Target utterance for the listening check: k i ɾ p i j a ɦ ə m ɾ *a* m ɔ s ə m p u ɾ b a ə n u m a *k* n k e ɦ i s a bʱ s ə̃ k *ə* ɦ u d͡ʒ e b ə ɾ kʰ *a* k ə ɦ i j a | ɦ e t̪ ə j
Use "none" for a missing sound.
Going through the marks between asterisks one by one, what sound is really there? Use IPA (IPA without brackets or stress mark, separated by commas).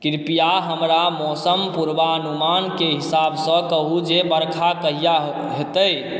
a, none, ə, a